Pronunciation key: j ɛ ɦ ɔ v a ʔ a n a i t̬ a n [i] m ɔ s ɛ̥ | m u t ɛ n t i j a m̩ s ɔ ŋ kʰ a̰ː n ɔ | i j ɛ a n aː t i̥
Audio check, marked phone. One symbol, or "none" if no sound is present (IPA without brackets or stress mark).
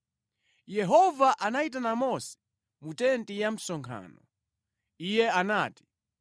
a